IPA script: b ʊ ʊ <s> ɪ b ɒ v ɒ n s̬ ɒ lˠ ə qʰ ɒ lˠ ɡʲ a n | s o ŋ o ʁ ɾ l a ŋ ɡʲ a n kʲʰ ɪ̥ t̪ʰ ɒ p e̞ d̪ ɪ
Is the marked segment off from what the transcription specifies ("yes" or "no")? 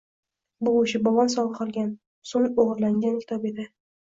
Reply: yes